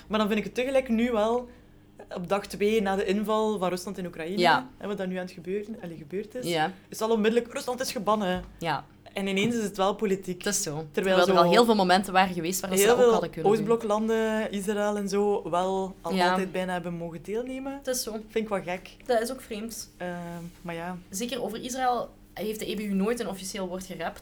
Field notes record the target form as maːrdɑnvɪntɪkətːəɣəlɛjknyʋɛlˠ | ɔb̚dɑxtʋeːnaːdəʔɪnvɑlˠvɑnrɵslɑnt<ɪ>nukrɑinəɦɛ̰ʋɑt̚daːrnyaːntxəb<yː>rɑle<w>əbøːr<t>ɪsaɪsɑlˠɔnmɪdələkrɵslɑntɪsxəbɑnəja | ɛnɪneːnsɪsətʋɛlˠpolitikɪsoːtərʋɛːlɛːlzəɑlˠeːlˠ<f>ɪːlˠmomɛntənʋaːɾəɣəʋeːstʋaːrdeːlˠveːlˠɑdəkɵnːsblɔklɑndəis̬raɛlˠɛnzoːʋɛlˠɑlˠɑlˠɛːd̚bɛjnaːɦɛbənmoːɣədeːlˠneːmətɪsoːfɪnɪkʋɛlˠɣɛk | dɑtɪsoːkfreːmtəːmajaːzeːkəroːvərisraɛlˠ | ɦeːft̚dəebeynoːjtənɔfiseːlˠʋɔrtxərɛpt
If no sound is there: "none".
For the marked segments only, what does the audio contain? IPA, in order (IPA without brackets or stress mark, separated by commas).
ɪ, øː, ɣ, t, v